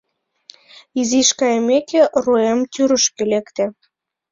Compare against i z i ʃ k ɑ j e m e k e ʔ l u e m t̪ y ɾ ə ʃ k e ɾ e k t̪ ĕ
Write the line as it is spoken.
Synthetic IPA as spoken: i z i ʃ k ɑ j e m e k e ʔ r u e m t̪ y ɾ ə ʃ k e l e k t̪ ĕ

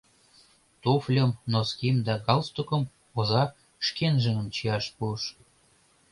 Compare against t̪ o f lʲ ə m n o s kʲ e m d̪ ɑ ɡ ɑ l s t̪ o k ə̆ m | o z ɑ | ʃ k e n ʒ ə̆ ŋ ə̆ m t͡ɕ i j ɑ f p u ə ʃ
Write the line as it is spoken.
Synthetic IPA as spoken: t̪ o f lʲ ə m n o s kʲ i m d̪ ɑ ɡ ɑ l s t̪ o k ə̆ m | o z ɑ | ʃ k e n ʒ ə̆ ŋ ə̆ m t͡ɕ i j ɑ ʃ p u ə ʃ

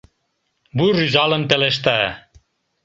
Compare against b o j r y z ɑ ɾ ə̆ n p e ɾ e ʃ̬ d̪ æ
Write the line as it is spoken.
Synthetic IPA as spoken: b u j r y z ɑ l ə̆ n p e l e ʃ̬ t̪ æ

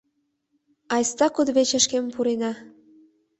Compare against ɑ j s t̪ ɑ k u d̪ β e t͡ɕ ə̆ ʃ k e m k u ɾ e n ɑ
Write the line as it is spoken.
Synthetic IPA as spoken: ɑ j s t̪ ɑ k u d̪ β e t͡ɕ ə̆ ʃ k e m p u ɾ e n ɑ

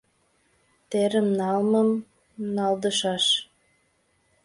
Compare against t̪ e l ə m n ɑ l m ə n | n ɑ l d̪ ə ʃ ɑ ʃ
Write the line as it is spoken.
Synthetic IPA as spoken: t̪ e ɾ ə m n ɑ l m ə m | n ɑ l d̪ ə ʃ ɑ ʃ

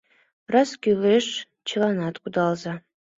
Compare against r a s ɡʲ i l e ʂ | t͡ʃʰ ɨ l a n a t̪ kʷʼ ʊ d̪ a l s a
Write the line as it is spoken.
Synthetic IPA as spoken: r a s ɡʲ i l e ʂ | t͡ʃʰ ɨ l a n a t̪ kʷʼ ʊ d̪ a l z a

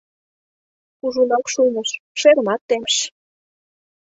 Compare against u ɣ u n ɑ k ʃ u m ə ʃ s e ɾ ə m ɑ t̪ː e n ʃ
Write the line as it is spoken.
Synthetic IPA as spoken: u ʒ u n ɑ k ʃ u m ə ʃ ʃ e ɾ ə m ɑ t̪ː e m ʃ

